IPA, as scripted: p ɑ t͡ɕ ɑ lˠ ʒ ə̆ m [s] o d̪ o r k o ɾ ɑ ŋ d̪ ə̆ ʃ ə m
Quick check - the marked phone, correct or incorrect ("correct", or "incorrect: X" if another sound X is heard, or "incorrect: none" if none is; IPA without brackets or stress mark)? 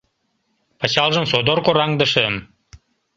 correct